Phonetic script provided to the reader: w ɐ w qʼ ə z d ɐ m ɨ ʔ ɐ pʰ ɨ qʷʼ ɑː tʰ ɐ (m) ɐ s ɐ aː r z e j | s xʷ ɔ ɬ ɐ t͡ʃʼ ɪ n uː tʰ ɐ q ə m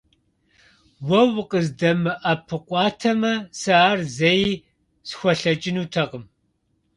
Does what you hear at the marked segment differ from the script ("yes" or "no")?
no